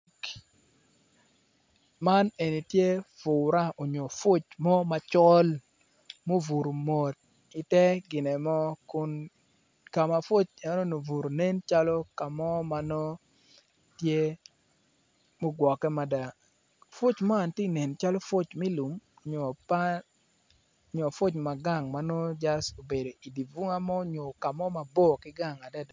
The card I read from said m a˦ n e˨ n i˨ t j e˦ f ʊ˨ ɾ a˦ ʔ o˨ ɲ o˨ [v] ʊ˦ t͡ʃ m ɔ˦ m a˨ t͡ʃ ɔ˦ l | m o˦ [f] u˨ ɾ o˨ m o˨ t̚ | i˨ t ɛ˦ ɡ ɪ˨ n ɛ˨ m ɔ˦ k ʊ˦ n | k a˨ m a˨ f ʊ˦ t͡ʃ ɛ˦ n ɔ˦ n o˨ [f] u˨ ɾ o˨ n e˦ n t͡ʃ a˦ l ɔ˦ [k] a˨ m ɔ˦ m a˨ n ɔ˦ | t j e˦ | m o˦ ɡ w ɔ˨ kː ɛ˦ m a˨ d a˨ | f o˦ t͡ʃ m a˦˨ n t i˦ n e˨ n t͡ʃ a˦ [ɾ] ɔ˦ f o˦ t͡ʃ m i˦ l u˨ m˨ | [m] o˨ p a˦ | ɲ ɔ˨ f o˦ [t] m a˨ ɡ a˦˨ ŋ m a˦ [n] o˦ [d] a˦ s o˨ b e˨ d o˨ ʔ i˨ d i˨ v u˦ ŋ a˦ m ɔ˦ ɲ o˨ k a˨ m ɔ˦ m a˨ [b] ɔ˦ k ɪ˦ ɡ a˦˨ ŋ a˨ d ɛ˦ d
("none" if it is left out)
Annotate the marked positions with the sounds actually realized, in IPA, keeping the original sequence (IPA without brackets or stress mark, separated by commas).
f, v, v, k, l, ɲ, t͡ʃ, n, d͡ʒ, b